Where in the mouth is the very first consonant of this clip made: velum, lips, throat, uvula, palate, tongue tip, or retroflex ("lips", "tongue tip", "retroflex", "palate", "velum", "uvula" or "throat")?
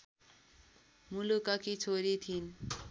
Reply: lips